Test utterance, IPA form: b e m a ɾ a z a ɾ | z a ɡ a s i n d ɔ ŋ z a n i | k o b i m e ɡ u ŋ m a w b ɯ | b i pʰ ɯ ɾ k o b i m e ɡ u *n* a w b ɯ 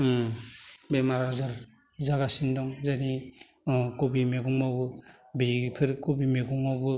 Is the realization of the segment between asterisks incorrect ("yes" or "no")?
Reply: yes